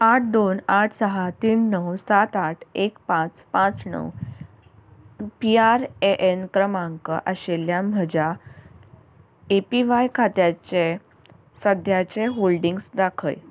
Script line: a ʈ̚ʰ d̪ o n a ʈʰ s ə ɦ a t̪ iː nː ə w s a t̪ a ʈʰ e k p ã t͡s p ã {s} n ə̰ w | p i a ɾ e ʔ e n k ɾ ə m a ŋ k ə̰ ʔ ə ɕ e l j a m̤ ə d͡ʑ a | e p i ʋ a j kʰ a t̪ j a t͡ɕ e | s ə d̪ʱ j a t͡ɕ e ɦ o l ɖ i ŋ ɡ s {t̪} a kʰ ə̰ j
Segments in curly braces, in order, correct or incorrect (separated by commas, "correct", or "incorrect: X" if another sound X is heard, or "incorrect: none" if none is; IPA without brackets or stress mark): incorrect: t͡s, incorrect: d̪